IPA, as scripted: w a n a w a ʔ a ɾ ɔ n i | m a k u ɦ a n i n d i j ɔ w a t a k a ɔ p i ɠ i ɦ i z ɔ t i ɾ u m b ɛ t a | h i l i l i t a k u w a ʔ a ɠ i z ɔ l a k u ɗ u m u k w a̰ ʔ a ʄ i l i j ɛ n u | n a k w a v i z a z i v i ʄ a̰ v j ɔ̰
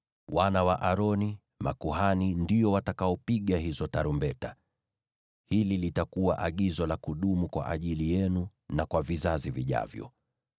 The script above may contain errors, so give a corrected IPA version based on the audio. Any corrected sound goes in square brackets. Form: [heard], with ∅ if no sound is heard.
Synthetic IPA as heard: w a n a w a ʔ a ɾ ɔ n i | m a k u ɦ a n i n d i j ɔ w a t a k a ɔ p i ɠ [a] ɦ i z ɔ t [a] ɾ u m b ɛ t a | h i l i l i t a k u w a ʔ a ɠ i z ɔ l a k u ɗ u m u k w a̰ ʔ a ʄ i l i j ɛ n u | n a k w a v i z a z i v i ʄ a̰ v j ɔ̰